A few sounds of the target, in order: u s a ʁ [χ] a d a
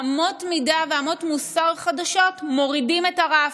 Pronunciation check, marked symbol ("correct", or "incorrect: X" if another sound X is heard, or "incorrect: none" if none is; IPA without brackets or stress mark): correct